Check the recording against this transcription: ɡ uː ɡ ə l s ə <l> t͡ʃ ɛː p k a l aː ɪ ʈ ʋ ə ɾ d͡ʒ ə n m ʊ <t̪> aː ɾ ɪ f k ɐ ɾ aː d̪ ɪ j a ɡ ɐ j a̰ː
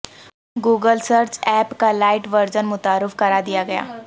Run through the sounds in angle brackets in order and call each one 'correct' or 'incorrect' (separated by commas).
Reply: incorrect, correct